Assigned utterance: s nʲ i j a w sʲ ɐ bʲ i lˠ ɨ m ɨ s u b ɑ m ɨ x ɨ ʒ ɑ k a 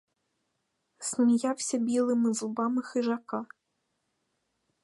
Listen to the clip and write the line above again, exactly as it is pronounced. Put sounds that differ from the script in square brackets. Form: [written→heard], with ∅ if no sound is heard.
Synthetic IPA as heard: s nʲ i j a w sʲ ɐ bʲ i lˠ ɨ m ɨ [s→z] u b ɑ m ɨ x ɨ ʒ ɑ k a